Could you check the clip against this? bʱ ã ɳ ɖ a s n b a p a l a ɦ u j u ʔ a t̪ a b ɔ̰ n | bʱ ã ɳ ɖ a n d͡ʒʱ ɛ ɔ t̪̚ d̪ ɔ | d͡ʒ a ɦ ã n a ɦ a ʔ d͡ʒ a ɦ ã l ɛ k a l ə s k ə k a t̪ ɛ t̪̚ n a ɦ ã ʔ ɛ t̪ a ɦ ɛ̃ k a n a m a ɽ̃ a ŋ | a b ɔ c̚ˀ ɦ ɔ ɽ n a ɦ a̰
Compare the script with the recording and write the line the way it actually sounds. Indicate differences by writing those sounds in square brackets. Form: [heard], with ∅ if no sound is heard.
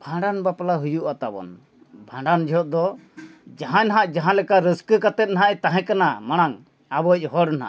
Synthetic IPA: bʱ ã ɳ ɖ a [∅] n b a p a l a ɦ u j u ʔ a t̪ a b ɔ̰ n | bʱ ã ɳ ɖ a n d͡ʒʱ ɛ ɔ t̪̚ d̪ ɔ | d͡ʒ a ɦ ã n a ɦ a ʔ d͡ʒ a ɦ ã l ɛ k a [ɾ] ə s k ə k a t̪ ɛ t̪̚ n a ɦ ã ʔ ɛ t̪ a ɦ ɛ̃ k a n a m a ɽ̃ a ŋ | a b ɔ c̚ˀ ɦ ɔ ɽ n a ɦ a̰